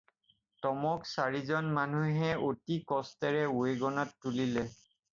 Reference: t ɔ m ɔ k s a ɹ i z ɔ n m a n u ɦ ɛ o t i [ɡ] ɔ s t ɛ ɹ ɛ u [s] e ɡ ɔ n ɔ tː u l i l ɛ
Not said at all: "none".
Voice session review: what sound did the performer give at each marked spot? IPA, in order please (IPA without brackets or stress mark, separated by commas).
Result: k, none